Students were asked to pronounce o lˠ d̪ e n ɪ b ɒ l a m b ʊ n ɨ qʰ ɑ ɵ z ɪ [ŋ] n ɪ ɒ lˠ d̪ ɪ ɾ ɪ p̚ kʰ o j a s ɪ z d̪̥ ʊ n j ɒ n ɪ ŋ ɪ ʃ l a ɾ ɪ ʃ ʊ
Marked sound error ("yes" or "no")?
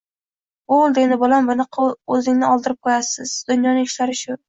no